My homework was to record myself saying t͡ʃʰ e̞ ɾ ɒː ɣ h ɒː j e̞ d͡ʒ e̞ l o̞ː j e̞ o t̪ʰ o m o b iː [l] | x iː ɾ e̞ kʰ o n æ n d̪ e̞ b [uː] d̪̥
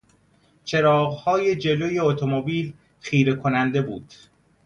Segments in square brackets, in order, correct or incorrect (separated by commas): correct, correct